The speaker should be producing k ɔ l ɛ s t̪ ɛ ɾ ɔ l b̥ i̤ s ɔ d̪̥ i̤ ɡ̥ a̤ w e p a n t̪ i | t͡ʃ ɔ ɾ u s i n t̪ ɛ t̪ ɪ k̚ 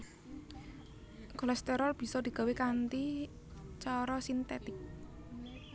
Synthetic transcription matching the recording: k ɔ l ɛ s t̪ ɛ ɾ ɔ l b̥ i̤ s ɔ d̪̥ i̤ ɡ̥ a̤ w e k a n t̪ i | t͡ʃ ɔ ɾ ɔ s i n t̪ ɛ t̪ ɪ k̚